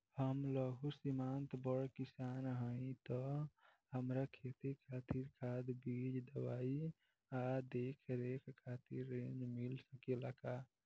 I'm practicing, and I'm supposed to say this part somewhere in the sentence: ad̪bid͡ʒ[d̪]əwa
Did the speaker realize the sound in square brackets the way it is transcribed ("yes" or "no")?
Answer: yes